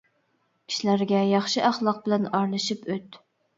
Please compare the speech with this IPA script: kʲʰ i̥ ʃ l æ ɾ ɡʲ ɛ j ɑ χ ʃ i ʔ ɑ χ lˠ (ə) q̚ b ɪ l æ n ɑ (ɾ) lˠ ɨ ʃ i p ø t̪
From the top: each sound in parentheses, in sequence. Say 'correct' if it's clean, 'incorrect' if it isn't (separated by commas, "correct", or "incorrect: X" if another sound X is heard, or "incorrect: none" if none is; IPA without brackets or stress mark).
incorrect: ɑ, correct